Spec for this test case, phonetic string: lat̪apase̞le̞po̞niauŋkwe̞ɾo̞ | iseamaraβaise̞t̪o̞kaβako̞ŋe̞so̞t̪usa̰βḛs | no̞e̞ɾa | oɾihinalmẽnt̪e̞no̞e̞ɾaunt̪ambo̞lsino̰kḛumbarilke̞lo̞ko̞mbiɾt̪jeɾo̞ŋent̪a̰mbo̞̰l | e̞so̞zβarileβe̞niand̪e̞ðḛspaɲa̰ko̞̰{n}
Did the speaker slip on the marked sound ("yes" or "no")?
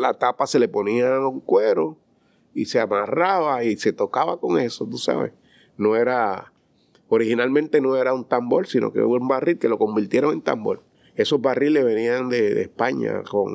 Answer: yes